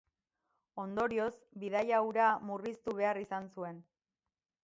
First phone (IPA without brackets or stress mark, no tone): o̞